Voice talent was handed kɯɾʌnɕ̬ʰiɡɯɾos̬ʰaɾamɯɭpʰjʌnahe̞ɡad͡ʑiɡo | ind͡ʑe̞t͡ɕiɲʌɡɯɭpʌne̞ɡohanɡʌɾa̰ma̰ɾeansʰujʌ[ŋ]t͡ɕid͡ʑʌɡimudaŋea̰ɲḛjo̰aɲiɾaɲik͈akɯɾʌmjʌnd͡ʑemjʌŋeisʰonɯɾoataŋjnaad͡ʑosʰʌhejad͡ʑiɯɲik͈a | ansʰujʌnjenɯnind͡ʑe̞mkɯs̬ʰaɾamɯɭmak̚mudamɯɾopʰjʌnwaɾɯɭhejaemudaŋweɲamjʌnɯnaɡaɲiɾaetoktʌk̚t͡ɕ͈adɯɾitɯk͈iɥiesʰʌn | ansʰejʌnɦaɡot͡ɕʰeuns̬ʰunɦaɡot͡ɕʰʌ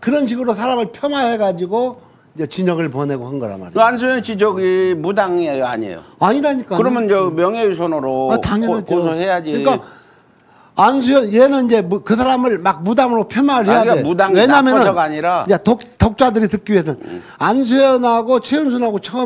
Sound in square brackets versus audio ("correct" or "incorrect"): incorrect